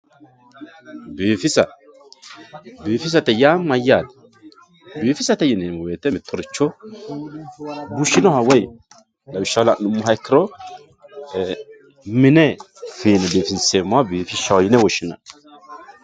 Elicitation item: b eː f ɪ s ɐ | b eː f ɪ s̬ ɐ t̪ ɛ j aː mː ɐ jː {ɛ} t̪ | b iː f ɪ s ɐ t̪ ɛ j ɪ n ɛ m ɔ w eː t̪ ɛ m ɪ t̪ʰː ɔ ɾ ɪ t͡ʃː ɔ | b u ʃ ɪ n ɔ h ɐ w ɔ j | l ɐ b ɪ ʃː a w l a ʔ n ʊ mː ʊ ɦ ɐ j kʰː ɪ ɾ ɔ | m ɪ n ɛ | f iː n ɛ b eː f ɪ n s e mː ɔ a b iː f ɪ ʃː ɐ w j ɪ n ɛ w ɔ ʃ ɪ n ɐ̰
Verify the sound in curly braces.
incorrect: a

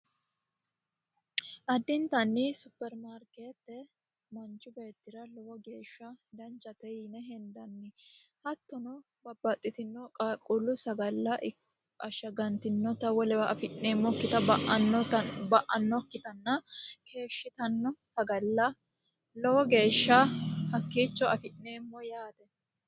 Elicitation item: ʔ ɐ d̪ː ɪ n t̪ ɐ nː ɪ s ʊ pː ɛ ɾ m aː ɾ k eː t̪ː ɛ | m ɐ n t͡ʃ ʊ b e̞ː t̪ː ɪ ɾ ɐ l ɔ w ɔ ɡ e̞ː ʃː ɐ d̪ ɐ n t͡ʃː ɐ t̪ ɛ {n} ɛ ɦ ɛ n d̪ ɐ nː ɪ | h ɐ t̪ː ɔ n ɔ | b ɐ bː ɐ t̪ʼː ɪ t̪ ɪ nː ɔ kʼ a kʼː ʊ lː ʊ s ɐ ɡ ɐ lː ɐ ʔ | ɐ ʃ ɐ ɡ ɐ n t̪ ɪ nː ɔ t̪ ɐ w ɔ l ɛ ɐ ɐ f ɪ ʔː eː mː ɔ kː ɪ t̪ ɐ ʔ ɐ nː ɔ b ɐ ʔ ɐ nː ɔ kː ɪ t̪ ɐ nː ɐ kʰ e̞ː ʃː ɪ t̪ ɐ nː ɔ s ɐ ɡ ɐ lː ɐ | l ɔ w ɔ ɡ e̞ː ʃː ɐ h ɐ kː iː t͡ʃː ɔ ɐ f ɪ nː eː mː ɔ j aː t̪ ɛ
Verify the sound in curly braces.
correct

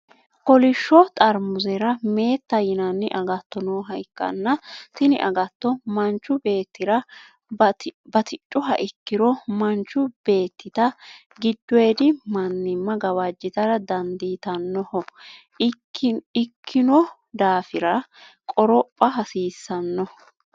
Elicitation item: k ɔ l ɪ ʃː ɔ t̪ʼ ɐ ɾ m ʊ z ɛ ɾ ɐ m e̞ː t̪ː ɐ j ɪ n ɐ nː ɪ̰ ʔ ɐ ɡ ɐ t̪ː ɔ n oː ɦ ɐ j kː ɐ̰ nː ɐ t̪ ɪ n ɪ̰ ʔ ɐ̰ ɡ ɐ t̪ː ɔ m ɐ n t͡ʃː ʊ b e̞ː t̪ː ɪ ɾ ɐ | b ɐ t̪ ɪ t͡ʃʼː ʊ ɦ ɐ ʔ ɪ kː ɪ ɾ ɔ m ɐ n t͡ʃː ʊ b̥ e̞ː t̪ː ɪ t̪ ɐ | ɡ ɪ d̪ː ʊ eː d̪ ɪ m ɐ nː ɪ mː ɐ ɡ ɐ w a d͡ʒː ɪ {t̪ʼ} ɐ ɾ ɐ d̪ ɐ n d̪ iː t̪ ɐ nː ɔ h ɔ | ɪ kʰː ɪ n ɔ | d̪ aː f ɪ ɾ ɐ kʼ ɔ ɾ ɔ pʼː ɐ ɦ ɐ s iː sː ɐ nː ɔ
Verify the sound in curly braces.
incorrect: t̪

